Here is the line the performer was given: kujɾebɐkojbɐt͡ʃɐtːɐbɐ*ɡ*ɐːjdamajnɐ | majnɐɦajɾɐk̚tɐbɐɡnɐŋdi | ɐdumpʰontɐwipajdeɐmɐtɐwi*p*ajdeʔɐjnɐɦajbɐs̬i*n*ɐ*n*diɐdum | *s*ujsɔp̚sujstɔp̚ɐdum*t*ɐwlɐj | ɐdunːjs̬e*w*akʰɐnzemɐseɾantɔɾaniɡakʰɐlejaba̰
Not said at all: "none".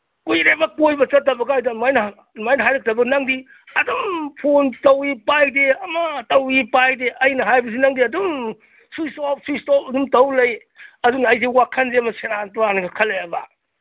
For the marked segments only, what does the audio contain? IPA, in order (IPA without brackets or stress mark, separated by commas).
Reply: ɡ, p, n, ŋ, s, t, w